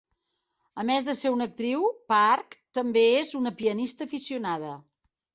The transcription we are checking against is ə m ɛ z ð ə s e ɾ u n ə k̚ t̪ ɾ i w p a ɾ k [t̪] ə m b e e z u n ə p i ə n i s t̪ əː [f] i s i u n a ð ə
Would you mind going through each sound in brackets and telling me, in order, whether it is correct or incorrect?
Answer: correct, correct

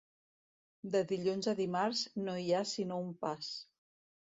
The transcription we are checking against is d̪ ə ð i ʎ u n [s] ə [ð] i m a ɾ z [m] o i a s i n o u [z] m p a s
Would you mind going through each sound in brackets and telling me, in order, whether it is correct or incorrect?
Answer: incorrect: z, correct, incorrect: n, incorrect: none

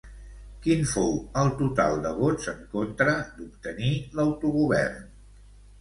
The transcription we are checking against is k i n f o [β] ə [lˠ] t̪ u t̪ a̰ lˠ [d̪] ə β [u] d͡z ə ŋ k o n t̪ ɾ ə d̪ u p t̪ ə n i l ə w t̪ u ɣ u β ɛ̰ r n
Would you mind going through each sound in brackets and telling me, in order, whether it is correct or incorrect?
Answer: incorrect: w, correct, correct, incorrect: o

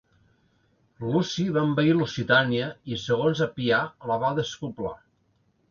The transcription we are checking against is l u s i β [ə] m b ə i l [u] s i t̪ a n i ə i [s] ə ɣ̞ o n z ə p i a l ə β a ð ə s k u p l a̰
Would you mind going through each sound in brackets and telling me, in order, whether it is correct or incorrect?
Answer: incorrect: a, correct, correct

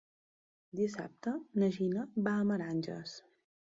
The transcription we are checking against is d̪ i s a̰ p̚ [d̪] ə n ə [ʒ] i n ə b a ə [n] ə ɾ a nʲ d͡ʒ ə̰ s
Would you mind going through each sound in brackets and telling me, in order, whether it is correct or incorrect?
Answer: incorrect: t̪, correct, incorrect: m

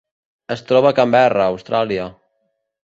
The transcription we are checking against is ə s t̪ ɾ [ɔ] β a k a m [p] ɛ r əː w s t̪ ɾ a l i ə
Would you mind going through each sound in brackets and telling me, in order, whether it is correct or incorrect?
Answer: correct, incorrect: b

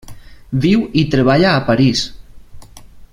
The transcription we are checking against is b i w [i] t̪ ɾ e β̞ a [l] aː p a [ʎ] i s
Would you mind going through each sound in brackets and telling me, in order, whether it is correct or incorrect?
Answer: correct, incorrect: ʎ, incorrect: ɾ

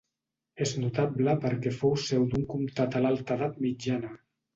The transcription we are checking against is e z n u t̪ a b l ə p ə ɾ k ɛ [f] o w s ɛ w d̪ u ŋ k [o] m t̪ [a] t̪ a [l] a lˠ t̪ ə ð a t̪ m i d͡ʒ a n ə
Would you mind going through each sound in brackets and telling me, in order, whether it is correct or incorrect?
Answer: correct, incorrect: u, correct, correct

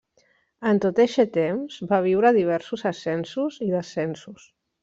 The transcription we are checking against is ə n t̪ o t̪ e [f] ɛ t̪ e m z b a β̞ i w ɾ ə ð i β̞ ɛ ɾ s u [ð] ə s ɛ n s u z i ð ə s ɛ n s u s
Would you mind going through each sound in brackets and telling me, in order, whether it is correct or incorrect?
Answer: incorrect: ʃ, incorrect: z

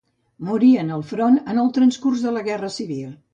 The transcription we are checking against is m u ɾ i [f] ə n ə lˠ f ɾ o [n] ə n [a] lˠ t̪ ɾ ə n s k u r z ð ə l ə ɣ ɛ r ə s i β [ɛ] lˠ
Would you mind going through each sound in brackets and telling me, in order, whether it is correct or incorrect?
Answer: incorrect: none, correct, incorrect: ə, incorrect: i

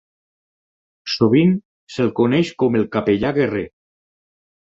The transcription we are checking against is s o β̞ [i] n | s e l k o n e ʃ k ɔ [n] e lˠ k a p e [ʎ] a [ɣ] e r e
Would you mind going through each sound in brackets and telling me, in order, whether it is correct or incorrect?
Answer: correct, incorrect: m, correct, correct

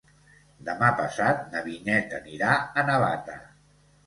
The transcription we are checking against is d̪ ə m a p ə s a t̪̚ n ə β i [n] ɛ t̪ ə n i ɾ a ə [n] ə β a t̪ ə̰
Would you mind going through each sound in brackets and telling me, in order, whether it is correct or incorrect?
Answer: correct, correct

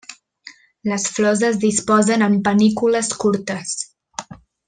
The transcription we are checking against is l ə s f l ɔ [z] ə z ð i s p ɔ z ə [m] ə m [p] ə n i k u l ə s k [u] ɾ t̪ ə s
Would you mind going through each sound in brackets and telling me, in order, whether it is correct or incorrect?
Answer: correct, incorrect: n, correct, correct

